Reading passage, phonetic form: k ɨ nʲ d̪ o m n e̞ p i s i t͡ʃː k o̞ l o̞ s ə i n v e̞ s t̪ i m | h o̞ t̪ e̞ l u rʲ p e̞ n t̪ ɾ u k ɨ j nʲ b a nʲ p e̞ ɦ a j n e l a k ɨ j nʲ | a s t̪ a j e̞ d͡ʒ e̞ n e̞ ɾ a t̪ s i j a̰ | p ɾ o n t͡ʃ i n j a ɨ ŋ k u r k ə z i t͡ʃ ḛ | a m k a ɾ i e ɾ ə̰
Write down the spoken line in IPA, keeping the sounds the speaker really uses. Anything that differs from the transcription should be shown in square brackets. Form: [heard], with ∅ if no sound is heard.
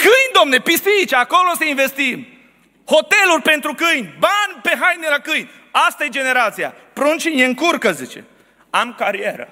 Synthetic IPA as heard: k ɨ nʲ d̪ o m n e̞ p i s i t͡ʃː k o̞ l o̞ s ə i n v e̞ s t̪ i m | h o̞ t̪ e̞ l u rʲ p e̞ n t̪ ɾ u k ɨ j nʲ b a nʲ p e̞ ɦ a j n e l a k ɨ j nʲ | a s t̪ a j e̞ d͡ʒ e̞ n e̞ ɾ a t̪ s i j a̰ | p ɾ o n t͡ʃ i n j [e] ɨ ŋ k u r k ə z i t͡ʃ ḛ | a m k a ɾ i e ɾ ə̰